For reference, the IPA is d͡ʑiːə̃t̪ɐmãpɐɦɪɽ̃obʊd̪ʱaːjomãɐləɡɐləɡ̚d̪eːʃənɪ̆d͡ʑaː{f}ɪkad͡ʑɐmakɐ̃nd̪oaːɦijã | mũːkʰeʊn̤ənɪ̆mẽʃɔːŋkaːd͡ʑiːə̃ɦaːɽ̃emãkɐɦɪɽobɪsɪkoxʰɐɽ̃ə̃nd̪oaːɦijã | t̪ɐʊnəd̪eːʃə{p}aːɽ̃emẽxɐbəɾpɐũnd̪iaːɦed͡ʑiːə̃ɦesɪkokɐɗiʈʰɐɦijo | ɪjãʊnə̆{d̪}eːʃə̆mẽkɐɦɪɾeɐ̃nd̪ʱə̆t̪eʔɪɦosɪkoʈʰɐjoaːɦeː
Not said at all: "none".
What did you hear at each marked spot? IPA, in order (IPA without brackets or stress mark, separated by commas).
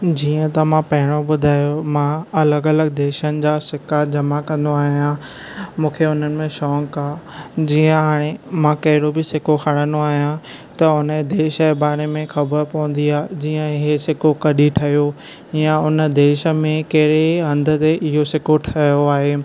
s, b, d̪